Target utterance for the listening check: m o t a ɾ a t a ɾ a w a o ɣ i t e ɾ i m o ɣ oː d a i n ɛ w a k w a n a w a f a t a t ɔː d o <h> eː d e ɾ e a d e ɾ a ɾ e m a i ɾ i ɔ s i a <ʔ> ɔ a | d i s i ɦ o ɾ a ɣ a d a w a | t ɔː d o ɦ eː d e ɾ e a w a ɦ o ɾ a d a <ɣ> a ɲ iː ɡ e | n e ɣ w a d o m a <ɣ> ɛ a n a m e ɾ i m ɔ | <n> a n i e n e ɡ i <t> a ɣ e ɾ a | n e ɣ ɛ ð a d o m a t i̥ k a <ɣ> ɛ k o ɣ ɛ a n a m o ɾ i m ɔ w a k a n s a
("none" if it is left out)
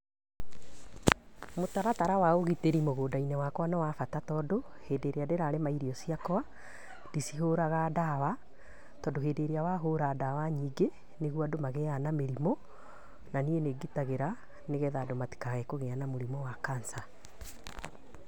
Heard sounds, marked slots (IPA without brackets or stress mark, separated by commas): h, k, w, ɣ, n, t, ɣ